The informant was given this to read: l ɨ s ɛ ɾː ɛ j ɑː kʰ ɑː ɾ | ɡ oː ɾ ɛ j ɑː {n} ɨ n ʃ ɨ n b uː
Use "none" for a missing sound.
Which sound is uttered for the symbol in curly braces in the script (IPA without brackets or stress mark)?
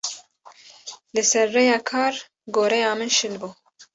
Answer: m